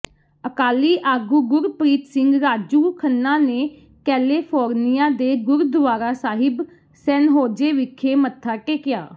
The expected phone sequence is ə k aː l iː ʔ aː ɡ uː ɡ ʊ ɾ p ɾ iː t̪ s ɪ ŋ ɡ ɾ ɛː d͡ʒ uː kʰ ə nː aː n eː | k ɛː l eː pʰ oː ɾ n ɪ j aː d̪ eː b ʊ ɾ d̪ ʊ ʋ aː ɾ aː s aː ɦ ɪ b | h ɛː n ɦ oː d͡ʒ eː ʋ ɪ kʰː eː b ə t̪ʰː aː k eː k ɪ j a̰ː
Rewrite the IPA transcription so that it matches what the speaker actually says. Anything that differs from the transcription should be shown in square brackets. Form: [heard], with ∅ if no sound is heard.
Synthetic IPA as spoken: ə k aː l iː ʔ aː ɡ uː ɡ ʊ ɾ p ɾ iː t̪ s ɪ ŋ ɡ ɾ [aː] d͡ʒ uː kʰ ə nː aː n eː | k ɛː l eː pʰ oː ɾ n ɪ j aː d̪ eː [ɡ] ʊ ɾ d̪ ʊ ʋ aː ɾ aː s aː ɦ ɪ b | [s] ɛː n ɦ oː d͡ʒ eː ʋ ɪ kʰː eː [m] ə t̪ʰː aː k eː k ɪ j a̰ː